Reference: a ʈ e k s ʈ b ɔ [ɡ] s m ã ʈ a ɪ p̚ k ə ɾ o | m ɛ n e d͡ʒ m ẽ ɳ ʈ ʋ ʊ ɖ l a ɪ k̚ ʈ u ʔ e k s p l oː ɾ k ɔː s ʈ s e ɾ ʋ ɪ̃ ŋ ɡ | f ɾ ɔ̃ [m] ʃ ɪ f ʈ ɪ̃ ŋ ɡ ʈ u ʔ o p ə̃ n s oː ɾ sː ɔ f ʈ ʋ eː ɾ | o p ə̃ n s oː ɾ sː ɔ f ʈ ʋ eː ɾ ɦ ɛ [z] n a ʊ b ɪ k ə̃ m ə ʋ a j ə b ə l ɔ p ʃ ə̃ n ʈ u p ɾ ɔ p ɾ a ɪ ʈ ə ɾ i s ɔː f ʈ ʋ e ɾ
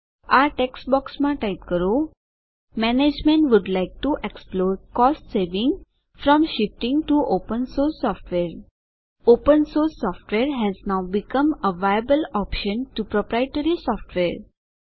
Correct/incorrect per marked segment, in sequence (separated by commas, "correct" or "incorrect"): incorrect, correct, correct